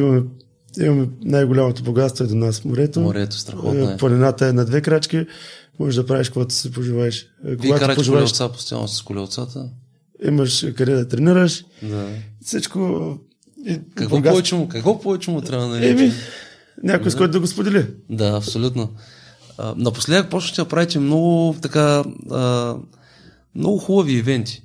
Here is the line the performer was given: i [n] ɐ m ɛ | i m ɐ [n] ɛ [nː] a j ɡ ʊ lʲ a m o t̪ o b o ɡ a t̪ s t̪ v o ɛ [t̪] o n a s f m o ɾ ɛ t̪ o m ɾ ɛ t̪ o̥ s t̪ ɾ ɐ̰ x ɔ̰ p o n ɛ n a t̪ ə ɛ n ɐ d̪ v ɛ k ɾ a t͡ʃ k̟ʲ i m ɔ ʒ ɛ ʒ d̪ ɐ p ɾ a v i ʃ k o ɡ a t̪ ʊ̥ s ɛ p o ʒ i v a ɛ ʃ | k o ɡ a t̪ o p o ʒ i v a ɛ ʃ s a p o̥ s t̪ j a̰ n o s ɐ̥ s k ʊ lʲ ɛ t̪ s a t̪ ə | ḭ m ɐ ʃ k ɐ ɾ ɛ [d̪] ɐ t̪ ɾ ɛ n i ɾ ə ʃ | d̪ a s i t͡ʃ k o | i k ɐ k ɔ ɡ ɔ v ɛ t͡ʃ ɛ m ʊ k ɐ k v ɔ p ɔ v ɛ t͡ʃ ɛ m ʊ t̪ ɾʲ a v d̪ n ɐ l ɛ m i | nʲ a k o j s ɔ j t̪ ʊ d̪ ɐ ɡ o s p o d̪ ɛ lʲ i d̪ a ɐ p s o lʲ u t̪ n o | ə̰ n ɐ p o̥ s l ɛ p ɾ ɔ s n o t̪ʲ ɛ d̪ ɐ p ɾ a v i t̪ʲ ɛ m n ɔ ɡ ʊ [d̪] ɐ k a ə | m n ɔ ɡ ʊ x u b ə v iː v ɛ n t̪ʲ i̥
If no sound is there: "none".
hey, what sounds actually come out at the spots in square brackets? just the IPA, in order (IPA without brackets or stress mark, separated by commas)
m, m, n, d̪, d̪, t̪